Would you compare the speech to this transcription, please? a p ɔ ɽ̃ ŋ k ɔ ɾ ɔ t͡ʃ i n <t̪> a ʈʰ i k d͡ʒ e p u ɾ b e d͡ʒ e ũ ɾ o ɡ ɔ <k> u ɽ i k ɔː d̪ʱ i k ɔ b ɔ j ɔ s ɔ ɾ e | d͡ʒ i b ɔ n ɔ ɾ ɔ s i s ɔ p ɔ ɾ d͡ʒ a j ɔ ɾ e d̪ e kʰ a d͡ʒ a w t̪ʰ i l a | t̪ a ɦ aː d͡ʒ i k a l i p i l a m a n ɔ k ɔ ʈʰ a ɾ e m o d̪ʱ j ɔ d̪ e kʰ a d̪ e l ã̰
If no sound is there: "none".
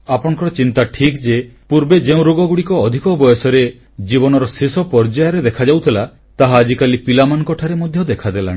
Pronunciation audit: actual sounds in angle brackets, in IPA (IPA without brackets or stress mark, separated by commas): t̪, ɡ